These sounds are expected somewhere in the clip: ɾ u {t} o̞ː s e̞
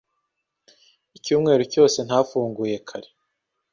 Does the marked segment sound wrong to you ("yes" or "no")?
yes